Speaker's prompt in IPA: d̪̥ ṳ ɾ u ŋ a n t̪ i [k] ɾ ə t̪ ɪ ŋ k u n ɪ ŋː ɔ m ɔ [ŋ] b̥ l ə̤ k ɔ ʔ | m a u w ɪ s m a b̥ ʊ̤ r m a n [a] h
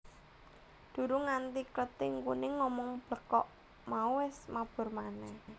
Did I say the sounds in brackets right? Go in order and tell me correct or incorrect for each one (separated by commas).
correct, correct, incorrect